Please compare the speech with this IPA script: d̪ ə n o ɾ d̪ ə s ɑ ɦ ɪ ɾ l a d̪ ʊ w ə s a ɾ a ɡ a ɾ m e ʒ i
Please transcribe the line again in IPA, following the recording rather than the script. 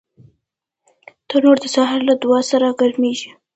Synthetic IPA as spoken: t̪ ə n o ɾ d̪ ə s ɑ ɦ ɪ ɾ l a d̪ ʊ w ɑ s a ɾ a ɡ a ɾ m e ʒ i